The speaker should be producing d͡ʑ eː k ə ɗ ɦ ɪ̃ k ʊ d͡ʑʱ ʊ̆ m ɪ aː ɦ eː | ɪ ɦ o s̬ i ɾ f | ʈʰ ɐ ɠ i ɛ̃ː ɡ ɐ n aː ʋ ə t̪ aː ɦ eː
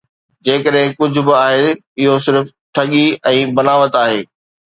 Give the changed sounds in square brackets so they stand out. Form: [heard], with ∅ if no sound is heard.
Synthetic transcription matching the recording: d͡ʑ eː k ə ɗ ɦ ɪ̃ k ʊ d͡ʑʱ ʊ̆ [b] ɪ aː ɦ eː | ɪ ɦ o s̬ [ɪ] ɾ f | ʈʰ ɐ ɠ i ɛ̃ː [b] ɐ n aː ʋ ə t̪ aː ɦ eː